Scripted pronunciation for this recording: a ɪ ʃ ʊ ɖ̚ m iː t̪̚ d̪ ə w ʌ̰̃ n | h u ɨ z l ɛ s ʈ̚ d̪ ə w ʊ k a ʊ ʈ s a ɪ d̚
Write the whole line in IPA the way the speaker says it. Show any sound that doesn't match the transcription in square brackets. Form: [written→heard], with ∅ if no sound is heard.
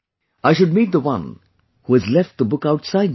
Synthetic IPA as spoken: a ɪ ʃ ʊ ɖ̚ m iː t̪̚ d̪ ə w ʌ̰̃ n | h u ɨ z l ɛ [s→f] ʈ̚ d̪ ə [w→b] ʊ k a ʊ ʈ s a ɪ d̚